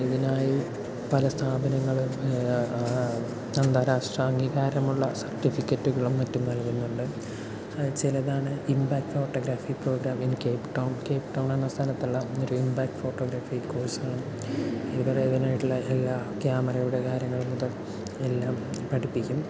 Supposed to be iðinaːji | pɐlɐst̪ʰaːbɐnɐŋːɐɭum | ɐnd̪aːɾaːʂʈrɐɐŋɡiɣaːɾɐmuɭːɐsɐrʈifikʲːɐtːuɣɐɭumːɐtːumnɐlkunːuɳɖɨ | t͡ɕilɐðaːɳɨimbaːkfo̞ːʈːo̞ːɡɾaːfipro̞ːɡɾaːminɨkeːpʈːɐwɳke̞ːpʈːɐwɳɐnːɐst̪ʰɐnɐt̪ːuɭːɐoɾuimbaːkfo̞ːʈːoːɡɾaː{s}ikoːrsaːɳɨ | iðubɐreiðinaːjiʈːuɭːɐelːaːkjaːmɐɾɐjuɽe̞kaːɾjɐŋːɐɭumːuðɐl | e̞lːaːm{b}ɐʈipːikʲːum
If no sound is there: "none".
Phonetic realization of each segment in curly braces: f, p

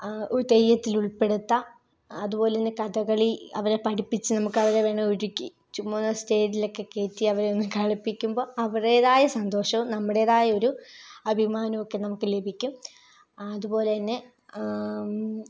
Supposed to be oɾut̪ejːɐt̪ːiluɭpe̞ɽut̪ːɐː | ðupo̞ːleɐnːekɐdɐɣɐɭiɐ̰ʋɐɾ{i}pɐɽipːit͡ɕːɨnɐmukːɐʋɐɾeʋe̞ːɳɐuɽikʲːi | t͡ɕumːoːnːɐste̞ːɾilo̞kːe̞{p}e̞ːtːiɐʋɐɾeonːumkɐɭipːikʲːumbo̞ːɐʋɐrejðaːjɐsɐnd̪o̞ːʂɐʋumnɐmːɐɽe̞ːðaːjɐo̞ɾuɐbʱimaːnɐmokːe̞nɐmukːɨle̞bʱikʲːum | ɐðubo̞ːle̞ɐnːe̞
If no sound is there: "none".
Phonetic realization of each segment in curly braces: e, k

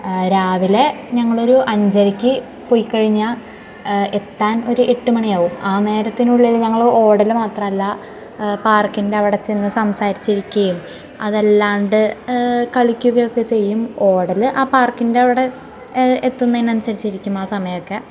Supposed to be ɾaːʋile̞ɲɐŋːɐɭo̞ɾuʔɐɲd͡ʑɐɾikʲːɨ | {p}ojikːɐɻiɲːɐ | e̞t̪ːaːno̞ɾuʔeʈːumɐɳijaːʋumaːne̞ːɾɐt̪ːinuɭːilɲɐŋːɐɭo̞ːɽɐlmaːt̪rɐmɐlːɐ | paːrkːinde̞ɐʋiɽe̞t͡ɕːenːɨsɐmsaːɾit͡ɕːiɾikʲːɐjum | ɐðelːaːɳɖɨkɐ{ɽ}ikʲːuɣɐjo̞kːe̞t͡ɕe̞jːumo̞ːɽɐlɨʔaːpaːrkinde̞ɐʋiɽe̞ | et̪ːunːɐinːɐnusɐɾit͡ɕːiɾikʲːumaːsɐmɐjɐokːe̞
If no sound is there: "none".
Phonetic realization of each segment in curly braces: p, ɭ

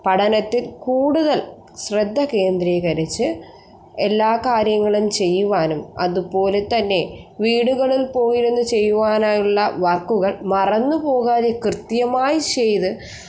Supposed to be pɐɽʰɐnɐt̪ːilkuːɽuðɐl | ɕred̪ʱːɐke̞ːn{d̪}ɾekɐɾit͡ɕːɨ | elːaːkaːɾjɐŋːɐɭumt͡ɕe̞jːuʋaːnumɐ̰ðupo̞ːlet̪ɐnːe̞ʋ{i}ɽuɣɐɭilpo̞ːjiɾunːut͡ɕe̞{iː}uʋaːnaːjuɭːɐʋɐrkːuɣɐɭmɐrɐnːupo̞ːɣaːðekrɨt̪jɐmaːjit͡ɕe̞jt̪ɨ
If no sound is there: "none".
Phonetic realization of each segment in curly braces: d̪, iː, jː

